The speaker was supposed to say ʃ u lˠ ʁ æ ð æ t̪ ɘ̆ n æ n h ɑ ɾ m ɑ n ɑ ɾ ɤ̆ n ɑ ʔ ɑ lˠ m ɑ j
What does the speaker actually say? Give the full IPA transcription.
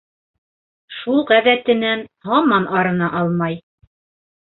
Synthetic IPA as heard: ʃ u lˠ ʁ æ ð æ t̪ ɘ̆ n æ n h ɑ m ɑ n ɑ ɾ ɤ̆ n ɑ ʔ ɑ lˠ m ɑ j